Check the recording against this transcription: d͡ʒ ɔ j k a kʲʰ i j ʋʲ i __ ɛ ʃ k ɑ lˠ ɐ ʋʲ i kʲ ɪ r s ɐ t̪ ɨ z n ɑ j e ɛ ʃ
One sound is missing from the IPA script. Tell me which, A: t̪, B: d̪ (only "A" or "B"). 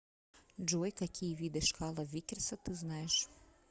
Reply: B